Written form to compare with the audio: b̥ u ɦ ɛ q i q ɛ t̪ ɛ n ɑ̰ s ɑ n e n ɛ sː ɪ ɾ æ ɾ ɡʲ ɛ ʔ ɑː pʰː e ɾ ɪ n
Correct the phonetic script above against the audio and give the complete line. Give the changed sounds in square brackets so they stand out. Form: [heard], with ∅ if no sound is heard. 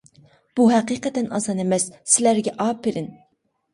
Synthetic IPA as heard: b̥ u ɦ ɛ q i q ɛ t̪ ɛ n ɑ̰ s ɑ n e [m] ɛ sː ɪ [l] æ ɾ ɡʲ ɛ ʔ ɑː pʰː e ɾ ɪ n